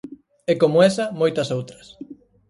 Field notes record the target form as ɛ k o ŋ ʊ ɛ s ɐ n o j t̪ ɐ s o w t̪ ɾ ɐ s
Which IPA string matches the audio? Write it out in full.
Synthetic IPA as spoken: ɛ k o m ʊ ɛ s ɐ m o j t̪ ɐ s o w t̪ ɾ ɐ s